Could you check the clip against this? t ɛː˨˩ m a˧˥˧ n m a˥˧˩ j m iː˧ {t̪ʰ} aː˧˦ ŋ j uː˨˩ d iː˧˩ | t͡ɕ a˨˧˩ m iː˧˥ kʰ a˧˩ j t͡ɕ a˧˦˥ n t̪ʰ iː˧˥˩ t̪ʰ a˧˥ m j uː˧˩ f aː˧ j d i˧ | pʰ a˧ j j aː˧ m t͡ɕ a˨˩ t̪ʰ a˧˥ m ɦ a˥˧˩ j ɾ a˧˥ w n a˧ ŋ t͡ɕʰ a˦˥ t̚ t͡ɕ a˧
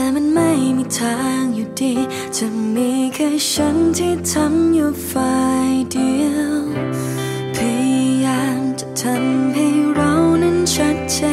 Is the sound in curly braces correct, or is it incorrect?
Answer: correct